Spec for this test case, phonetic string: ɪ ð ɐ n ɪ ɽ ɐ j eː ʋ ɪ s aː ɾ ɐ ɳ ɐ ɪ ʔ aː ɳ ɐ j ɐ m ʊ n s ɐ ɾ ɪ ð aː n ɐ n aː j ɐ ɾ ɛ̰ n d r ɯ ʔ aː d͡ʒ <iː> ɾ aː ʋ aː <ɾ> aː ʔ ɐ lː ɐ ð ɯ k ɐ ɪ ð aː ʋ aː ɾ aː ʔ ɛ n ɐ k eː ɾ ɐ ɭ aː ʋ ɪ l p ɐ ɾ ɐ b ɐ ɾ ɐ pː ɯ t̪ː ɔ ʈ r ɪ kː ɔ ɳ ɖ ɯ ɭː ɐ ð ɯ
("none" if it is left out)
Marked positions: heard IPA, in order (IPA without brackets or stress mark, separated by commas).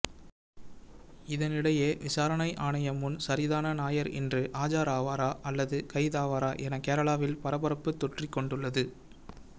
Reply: aː, ɾ